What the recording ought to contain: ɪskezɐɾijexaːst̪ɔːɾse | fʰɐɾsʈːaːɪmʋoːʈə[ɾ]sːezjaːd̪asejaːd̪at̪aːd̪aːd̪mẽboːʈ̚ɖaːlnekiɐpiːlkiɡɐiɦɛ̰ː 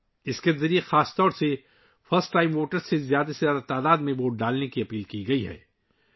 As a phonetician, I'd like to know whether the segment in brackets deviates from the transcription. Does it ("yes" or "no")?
no